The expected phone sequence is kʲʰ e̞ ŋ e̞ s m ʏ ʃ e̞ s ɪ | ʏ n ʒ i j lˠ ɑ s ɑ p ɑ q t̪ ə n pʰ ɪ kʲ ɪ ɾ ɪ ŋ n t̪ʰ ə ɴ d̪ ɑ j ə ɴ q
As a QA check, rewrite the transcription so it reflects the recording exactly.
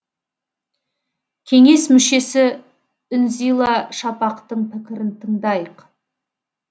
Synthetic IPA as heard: kʲʰ e̞ ŋ e̞ s m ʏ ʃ e̞ s ɪ | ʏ n z i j lˠ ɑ ʃ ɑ p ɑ q t̪ ə ɴ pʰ ɪ kʲ ɪ ɾ ɪ n t̪ʰ ə ɴ d̪ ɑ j ə q

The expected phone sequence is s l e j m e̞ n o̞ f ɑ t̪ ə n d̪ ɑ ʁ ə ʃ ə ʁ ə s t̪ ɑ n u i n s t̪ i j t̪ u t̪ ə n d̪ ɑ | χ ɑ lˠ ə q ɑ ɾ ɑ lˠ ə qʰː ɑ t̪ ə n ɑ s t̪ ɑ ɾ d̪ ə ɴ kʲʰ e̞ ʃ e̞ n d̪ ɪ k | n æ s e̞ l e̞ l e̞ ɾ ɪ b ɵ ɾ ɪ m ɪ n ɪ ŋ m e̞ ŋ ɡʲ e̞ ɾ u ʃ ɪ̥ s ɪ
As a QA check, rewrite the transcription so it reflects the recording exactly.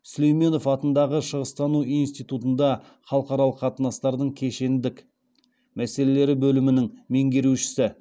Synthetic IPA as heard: s l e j m e̞ n o̞ f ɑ t̪ ə n d̪ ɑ ʁ ə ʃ ə ʁ ə s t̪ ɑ n u i n s t̪ i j t̪ u t̪ ə n d̪ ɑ | χ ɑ lˠ ə q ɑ ɾ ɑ lˠ ə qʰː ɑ t̪ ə n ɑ s t̪ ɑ ɾ d̪ ə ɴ kʲʰ e̞ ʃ e̞ n d̪ ɪ k | m æ s e̞ l e̞ l e̞ ɾ ɪ b ɵ l ɪ m ɪ n ɪ ŋ m e̞ ŋ ɡʲ e̞ ɾ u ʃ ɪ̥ s ɪ

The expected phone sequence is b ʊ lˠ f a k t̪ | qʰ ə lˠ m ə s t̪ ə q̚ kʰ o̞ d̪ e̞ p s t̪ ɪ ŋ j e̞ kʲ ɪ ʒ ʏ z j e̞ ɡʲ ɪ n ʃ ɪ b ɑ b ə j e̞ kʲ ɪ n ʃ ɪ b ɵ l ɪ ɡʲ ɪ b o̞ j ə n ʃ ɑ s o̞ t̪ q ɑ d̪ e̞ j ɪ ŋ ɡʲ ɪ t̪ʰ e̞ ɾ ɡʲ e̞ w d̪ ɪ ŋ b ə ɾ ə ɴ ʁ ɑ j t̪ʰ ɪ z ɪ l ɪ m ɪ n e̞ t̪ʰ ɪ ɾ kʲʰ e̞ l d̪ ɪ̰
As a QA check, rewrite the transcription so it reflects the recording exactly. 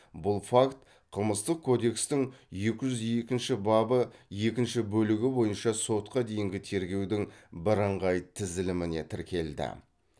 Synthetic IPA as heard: b ʊ lˠ f a k t̪ | qʰ ə lˠ m ə s t̪ ə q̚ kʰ o̞ d̪ e̞ k s t̪ ɪ ŋ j e̞ kʲ ɪ ʒ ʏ z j e̞ kʲ ɪ n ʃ ɪ b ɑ b ə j e̞ kʲ ɪ n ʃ ɪ b ɵ l ɪ ɡʲ ɪ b o̞ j ə n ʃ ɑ s o̞ t̪ q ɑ d̪ e̞ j ɪ ŋ ɡʲ ɪ t̪ʰ e̞ ɾ ɡʲ e̞ w d̪ ɪ ŋ b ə ɾ ə ɴ ʁ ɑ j t̪ʰ ɪ z ɪ l ɪ m ɪ n e̞ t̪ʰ ɪ ɾ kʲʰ e̞ l d̪ ɪ̰

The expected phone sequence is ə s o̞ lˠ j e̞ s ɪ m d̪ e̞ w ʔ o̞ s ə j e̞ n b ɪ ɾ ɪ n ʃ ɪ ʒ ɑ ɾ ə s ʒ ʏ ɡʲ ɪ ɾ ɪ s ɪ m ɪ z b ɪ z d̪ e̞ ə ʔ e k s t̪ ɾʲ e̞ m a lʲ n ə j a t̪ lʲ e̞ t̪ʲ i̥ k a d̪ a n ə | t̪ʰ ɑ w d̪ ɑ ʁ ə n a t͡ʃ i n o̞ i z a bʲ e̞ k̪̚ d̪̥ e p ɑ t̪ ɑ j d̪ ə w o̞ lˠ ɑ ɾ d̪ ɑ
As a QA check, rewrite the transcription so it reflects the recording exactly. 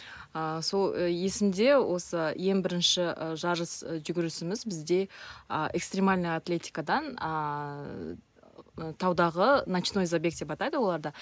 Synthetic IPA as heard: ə s o̞ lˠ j e̞ s ɪ m d̪ e̞ w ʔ o̞ s ə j e̞ ŋ b ɪ ɾ ɪ n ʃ ɪ ʒ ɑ ɾ ə s ʒ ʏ ɡʲ ɪ ɾ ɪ s ɪ m ɪ z b ɪ z d̪ e̞ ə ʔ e k s t̪ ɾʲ e̞ m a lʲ n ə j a t̪ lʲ e̞ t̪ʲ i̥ k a d̪ ɑ n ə | t̪ʰ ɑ w d̪ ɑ ʁ ə n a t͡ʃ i n o̞ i z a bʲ e̞ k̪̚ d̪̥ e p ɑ t̪ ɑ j d̪ ə w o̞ lˠ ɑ ɾ d̪ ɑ

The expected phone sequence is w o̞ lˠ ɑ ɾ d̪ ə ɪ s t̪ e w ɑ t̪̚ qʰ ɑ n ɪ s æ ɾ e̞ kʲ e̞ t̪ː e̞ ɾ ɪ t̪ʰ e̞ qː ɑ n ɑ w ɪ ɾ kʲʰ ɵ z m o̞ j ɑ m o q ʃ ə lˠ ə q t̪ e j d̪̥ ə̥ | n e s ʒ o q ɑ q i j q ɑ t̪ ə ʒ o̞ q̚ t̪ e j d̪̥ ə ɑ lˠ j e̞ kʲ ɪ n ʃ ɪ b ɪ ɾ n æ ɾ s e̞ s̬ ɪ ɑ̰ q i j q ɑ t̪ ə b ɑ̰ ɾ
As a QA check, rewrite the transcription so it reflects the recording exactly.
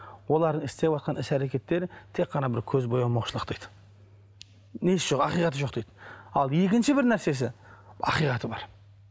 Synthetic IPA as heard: w o̞ lˠ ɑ ɾ d̪ ə ɪ s t̪ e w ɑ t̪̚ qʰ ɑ n ɪ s æ ɾ e̞ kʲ e̞ t̪ː e̞ ɾ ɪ t̪ʰ e̞ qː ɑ n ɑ b ɪ ɾ kʲʰ ɵ z b o̞ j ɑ m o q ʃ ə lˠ ə q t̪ e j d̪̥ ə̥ | n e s ʒ o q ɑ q i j q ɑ t̪ ə ʒ o̞ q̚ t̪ e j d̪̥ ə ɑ lˠ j e̞ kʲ ɪ n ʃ ɪ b ɪ ɾ n æ ɾ s e̞ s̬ ɪ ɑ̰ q i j q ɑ t̪ ə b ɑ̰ ɾ

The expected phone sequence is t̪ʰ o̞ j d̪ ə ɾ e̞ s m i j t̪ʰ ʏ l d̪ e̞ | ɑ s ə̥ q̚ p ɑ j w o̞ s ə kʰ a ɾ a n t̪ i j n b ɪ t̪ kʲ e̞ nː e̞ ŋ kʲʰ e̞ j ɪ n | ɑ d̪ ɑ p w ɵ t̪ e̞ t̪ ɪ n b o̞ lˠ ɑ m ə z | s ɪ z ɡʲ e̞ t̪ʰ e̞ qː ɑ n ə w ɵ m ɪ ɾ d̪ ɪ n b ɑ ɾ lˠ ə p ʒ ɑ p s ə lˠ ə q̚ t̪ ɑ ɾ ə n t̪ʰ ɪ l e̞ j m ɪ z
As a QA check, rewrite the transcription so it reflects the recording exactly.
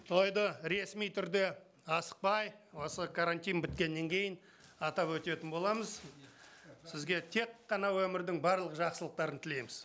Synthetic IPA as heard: t̪ʰ o̞ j d̪ ə ɾ e̞ s m i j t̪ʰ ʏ ɾ d̪ e̞ | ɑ s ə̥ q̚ p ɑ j w o̞ s ə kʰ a ɾ a n t̪ i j n b ɪ t̪ kʲ e̞ nː e̞ ŋ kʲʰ e̞ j ɪ n | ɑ t̪ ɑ p w ɵ t̪ e̞ t̪ ɪ n b o̞ lˠ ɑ m ə z | s ɪ z ɡʲ e̞ t̪ʰ e̞ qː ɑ n ɑ w ɵ m ɪ ɾ d̪ ɪ ŋ b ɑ ɾ lˠ ə q ʒ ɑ q s ə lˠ ə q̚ t̪ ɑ ɾ ə n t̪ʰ ɪ l e̞ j m ɪ z

